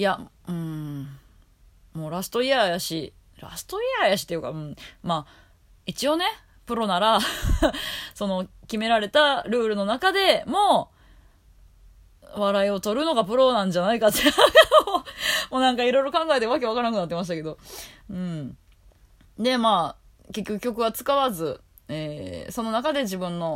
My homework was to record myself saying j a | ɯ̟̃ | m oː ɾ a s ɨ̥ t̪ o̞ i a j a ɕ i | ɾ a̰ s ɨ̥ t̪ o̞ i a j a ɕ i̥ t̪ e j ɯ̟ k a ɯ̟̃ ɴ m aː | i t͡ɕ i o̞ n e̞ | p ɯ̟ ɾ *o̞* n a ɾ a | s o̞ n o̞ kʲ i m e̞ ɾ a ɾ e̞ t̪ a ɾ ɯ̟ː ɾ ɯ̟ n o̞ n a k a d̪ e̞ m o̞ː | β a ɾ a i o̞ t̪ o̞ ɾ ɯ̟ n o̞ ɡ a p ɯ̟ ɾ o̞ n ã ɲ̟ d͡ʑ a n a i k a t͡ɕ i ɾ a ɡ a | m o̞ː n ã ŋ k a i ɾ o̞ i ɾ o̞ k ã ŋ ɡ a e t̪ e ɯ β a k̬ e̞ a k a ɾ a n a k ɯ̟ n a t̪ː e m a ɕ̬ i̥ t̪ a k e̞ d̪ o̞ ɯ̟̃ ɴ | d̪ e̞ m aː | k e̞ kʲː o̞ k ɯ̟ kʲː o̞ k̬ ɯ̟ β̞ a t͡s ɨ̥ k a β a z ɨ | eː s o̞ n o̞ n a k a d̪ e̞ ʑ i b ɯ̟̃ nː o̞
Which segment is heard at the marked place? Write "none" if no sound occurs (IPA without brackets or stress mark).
o̞